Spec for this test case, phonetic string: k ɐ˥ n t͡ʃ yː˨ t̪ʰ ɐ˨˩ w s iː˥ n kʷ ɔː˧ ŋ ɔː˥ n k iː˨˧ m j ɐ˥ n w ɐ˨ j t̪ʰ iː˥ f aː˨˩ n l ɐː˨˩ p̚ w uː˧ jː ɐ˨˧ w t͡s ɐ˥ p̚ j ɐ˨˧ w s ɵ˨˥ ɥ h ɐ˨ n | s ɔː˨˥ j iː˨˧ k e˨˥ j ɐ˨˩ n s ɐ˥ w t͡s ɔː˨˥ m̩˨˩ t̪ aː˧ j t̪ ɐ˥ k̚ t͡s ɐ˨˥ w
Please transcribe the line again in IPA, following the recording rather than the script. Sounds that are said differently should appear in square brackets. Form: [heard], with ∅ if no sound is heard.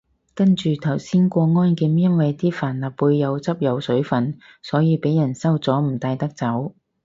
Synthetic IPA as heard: k ɐ˥ n t͡ʃ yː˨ t̪ʰ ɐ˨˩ w s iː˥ n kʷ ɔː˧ ŋ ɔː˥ n k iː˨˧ m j ɐ˥ n w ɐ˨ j [t̪] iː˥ f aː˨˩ n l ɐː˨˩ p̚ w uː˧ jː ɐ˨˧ w t͡s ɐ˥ p̚ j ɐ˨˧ w s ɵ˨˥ ɥ [f] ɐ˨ n | s ɔː˨˥ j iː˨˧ [p] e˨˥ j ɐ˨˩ n s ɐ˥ w t͡s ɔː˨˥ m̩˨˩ t̪ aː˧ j t̪ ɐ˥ k̚ t͡s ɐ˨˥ w